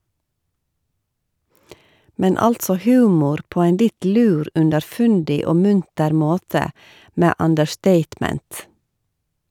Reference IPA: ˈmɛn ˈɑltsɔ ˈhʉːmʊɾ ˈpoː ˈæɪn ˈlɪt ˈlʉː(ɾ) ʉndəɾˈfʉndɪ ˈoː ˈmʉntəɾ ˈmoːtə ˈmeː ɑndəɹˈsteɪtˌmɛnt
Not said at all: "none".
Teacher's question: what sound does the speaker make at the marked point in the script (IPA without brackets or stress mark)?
ɾ